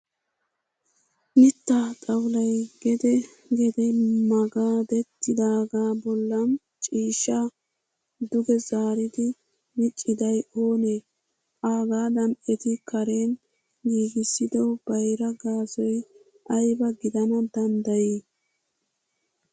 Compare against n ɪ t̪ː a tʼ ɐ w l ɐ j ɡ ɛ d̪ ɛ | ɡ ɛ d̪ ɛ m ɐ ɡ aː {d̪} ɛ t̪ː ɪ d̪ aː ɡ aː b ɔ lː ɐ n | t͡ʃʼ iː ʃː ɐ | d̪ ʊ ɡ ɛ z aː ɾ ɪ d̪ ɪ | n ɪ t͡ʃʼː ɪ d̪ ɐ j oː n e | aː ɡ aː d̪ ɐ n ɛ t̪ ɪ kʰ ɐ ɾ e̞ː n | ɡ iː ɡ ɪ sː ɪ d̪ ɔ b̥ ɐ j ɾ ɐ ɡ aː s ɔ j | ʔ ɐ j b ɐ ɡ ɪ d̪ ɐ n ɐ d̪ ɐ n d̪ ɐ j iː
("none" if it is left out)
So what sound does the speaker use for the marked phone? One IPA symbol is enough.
d̪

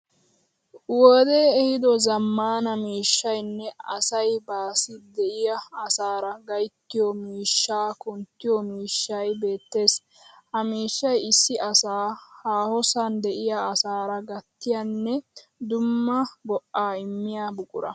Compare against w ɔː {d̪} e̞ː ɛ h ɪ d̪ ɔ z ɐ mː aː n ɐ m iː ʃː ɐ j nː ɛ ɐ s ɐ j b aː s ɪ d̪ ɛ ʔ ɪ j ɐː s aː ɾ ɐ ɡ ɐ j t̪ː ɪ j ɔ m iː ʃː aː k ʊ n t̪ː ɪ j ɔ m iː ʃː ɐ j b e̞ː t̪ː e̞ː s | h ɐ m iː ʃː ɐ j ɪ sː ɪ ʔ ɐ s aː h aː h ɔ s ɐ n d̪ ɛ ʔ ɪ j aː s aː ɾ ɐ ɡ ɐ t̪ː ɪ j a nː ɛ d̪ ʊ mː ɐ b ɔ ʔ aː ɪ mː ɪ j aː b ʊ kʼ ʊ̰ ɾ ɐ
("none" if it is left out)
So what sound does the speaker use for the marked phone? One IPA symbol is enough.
d̪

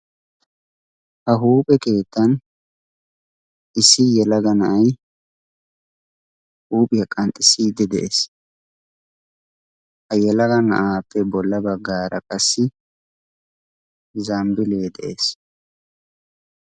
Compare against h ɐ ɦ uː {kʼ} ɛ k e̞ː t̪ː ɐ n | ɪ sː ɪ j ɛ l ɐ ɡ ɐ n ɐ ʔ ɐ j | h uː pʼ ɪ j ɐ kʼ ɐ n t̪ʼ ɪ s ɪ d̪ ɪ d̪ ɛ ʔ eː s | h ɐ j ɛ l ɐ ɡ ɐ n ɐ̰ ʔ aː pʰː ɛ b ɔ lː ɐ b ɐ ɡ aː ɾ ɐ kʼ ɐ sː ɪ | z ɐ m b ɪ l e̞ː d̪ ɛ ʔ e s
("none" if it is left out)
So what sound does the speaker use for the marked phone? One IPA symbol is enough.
pʼ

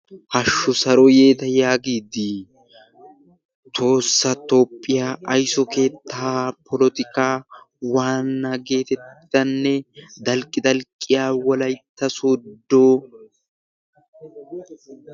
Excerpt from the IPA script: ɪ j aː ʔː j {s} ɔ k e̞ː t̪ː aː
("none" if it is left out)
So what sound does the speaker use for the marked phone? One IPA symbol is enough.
s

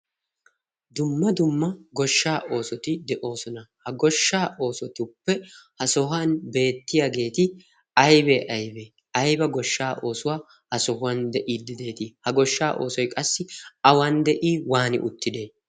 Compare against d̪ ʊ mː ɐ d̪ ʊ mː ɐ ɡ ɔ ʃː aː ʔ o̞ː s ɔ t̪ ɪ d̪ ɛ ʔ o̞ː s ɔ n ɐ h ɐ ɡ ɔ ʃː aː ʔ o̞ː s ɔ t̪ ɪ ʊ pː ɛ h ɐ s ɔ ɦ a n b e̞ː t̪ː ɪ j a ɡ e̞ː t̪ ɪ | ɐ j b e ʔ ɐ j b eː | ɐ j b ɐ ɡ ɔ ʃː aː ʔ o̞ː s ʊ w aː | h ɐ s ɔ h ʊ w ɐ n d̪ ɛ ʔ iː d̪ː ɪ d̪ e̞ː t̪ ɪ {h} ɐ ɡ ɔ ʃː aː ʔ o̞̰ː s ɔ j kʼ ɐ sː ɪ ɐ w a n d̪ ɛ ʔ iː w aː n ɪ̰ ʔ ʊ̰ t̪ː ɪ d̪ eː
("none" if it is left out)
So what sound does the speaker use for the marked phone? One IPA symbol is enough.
h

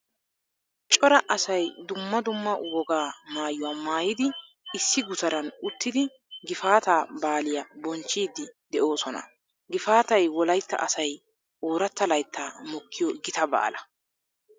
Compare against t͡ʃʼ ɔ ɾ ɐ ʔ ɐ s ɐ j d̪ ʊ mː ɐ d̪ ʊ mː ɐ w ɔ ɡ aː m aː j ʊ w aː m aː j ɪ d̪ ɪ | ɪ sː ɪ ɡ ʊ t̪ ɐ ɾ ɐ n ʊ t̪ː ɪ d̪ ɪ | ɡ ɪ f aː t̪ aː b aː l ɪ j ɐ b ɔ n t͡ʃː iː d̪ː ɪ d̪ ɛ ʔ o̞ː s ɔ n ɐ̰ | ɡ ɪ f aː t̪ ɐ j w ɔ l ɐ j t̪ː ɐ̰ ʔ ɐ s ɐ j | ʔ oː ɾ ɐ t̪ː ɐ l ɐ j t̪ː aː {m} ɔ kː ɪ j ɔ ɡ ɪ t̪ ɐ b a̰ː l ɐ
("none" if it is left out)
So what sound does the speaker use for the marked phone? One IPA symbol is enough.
m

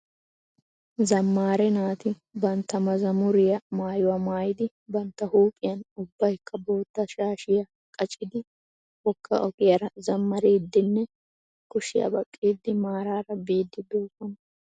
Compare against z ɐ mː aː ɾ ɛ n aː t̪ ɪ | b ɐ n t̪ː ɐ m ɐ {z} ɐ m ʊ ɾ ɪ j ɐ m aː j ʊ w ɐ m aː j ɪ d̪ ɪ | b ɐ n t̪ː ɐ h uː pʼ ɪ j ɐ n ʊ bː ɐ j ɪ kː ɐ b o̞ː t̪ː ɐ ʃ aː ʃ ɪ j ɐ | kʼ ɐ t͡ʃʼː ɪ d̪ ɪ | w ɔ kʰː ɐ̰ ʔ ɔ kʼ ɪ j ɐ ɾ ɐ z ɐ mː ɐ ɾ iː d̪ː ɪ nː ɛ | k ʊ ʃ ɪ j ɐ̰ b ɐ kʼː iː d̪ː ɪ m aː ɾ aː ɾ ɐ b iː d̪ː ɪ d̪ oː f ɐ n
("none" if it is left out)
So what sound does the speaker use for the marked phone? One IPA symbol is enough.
z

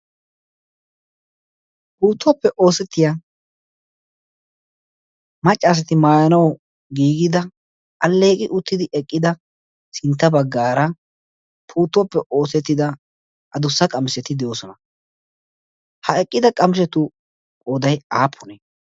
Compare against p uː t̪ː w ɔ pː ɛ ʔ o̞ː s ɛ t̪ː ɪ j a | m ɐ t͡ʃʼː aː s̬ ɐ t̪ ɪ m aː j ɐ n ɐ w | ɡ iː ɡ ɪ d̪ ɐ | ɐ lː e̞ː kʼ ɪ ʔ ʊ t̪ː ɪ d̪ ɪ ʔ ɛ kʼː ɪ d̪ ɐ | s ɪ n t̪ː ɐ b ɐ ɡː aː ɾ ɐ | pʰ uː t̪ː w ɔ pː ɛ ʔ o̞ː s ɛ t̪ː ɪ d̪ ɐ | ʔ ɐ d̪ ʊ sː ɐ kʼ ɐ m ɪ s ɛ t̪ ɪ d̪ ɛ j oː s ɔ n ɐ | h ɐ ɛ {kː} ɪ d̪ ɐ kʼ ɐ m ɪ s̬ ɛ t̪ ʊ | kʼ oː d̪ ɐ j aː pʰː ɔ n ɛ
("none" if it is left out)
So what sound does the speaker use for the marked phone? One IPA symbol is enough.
kʼː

